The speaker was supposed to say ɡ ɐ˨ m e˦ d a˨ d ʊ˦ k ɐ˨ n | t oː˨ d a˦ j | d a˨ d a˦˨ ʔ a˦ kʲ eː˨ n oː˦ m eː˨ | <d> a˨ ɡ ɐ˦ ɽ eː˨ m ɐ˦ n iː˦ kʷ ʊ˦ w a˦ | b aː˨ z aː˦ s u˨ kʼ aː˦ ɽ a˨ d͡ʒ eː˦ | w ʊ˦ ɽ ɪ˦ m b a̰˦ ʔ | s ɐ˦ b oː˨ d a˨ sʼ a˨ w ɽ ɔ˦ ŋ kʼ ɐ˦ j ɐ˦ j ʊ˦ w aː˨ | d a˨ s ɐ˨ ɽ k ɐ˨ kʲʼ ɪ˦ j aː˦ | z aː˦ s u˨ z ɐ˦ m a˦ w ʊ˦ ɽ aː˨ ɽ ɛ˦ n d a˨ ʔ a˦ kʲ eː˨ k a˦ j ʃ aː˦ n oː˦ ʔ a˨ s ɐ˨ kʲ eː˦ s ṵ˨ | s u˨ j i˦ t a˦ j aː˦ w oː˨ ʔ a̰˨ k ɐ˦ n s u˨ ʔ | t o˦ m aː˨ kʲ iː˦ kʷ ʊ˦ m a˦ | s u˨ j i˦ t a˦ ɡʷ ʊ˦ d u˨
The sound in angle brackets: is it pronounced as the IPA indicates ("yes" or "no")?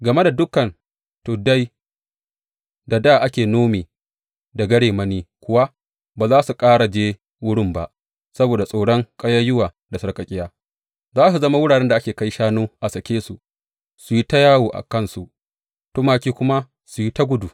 yes